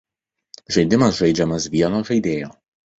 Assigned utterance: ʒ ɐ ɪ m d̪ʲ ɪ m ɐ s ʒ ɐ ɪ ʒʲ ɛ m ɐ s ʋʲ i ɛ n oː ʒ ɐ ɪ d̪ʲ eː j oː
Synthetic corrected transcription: ʒ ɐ ɪ d̪ʲ ɪ m ɐ s ʒ ɐ ɪ d͡ʒʲ ɛ m ɐ s ʋʲ i ɛ n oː ʒ ɐ ɪ d̪ʲ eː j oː

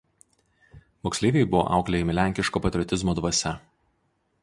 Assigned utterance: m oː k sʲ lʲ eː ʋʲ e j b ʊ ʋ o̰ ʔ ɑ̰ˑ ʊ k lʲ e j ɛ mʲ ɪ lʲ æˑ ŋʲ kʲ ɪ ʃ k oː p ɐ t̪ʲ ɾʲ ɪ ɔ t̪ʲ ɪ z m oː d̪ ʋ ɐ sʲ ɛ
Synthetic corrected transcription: m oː k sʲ lʲ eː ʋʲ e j b ʊ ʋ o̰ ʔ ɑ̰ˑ ʊ k lʲ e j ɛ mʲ ɪ lʲ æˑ ŋʲ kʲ ɪ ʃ k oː p ɐ t̪ʲ ɾʲ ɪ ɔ t̪ʲ ɪ z m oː d̪ ʋ ɐ sʲ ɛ

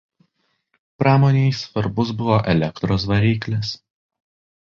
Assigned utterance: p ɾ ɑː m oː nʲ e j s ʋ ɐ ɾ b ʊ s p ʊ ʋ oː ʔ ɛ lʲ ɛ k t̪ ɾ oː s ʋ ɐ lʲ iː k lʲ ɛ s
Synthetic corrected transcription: p ɾ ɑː m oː nʲ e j s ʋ ɐ ɾ b ʊ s b ʊ ʋ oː ʔ ɛ lʲ ɛ k t̪ ɾ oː s ʋ ɐ ɾʲ iː k lʲ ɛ s

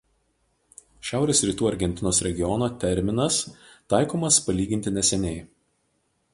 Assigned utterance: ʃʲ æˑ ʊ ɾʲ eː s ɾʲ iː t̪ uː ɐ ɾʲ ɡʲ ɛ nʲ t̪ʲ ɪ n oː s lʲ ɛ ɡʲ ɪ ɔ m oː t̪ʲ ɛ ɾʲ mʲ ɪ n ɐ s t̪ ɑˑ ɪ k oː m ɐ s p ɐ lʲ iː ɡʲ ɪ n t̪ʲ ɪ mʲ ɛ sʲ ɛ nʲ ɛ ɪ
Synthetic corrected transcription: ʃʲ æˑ ʊ ɾʲ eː s ɾʲ iː t̪ uː ɐ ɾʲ ɡʲ ɛ nʲ t̪ʲ ɪ n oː s ɾʲ ɛ ɡʲ ɪ ɔ n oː t̪ʲ ɛ ɾʲ mʲ ɪ n ɐ s t̪ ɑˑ ɪ k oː m ɐ s p ɐ lʲ iː ɡʲ ɪ n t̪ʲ ɪ nʲ ɛ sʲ ɛ nʲ ɛ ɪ

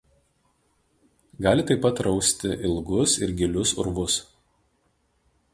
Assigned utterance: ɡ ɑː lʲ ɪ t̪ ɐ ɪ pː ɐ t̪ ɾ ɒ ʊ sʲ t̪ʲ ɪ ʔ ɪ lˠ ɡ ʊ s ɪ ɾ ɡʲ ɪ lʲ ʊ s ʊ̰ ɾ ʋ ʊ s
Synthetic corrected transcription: ɡ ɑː lʲ ɪ t̪ ɐ ɪ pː ɐ t̪ ɾ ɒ ʊ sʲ t̪ʲ ɪ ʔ ɪ lˠ ɡ ʊ s ɪ ɾ ɡʲ ɪ lʲ ʊ s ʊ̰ ɾ ʋ ʊ s

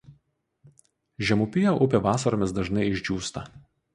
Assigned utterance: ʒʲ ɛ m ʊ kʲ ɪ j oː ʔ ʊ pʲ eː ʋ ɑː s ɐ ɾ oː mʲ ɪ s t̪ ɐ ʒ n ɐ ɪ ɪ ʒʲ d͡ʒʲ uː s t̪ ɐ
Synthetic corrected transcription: ʒʲ ɛ m ʊ pʲ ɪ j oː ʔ ʊ pʲ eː ʋ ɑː s ɐ ɾ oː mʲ ɪ s d̪ ɐ ʒ n ɐ ɪ ɪ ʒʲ d͡ʒʲ uː s t̪ ɐ

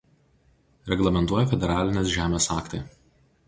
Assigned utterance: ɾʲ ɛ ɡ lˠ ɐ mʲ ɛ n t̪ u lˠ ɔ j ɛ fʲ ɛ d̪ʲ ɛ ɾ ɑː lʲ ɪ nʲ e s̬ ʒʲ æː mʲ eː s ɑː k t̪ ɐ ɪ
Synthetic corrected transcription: ɾʲ ɛ ɡ lˠ ɐ mʲ ɛ n t̪ u ɔ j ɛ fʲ ɛ d̪ʲ ɛ ɾ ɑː lʲ ɪ nʲ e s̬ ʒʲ æː mʲ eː s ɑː k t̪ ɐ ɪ

